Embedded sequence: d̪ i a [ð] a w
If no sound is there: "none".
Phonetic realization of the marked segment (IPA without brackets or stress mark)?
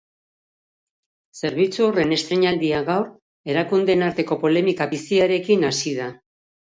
ɣ